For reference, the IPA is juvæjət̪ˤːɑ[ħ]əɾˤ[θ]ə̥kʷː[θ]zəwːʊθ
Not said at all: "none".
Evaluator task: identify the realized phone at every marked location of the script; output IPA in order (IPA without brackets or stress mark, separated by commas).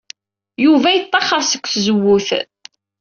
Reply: χ, s, θ